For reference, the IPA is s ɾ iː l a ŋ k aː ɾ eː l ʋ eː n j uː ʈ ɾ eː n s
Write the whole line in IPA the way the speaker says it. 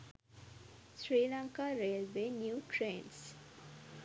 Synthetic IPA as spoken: s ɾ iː l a ŋ k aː ɾ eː l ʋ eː n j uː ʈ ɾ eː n s

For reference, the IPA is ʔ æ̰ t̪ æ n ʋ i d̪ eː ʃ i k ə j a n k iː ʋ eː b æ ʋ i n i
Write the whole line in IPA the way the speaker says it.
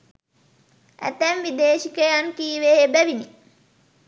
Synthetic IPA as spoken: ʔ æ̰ t̪ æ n ʋ i d̪ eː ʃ i k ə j a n k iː ʋ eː b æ ʋ i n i

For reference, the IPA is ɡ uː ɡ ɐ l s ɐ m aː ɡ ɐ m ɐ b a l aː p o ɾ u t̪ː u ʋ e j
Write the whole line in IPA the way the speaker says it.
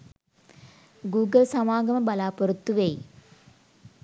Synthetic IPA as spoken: ɡ uː ɡ ɐ l s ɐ m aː ɡ ɐ m ɐ b ɐ l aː p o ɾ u t̪ː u ʋ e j

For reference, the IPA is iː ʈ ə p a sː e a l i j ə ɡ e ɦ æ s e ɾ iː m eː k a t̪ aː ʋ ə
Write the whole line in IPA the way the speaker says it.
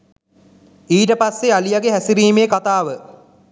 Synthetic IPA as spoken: iː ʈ ə p a sː e a l i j a ɡ e ɦ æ s i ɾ iː m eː k a t̪ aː ʋ ə

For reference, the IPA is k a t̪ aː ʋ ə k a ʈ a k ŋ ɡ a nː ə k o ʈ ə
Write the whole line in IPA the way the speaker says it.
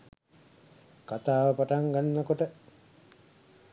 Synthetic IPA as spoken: k a t̪ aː ʋ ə p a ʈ a ŋ ɡ a nː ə k o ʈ ə

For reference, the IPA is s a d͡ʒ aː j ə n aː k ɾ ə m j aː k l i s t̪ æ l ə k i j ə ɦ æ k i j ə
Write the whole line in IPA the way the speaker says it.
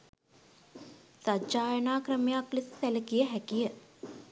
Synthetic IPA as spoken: s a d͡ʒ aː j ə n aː k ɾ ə m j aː k l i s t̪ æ l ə k i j ə ɦ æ k i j ə

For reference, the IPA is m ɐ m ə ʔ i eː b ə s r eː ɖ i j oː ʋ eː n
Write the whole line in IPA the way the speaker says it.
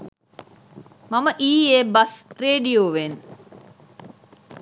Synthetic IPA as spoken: m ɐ m ə ʔ iː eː b ɐ s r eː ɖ i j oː ʋ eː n

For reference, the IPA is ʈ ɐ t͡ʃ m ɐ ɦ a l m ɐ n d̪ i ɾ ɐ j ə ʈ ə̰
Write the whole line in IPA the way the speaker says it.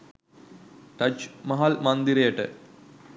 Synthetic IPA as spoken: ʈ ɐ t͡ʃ m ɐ ɦ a l m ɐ n d̪ i ɾ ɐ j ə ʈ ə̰

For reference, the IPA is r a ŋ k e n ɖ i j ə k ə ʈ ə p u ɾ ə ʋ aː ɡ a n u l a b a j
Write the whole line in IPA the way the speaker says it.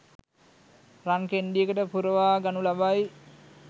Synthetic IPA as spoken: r a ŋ k e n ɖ i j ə k ə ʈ ə p u ɾ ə ʋ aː ɡ a n u l a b a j

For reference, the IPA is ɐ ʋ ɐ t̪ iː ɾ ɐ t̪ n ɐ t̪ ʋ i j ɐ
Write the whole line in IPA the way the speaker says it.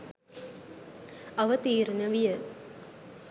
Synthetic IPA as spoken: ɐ ʋ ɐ t̪ iː ɾ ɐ n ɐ ʋ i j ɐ

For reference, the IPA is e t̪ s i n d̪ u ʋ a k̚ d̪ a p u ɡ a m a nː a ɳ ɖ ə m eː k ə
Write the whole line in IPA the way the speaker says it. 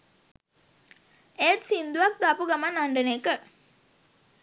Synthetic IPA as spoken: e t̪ s i n d̪ u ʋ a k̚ d̪ a p u ɡ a m a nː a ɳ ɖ ə n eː k ə

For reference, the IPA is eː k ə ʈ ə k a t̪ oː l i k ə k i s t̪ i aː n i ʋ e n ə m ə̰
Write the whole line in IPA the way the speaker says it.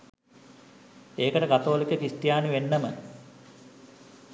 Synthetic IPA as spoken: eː k ə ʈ ə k a t̪ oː l i k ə k i s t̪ j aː n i ʋ e nː ə m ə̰

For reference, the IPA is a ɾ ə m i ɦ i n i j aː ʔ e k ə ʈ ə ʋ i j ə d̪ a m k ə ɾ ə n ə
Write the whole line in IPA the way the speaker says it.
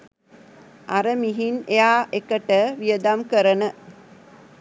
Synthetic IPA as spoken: a ɾ ə m i ɦ i n e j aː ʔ e k ə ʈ ə ʋ i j ə d̪ a m k ə ɾ ə n ə

